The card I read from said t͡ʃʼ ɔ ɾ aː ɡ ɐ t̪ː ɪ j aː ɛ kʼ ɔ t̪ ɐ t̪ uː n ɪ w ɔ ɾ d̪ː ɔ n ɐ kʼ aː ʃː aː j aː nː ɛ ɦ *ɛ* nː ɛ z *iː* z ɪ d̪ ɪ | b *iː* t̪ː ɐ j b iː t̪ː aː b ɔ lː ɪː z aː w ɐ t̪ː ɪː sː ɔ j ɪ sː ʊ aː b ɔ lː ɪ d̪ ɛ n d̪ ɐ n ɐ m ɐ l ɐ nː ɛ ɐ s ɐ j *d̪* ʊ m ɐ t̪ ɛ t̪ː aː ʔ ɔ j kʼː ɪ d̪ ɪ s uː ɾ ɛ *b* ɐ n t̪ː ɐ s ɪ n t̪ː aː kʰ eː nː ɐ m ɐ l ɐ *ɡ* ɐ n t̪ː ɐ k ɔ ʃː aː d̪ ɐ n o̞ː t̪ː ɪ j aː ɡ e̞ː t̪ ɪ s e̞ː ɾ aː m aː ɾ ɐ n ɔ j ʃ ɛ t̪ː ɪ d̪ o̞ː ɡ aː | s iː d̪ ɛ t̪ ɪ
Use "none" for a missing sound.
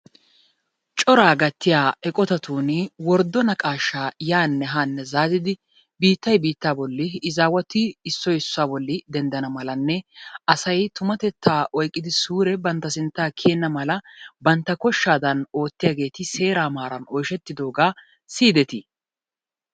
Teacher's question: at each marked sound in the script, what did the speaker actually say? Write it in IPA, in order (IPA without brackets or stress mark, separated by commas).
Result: a, aː, iː, t̪, b, b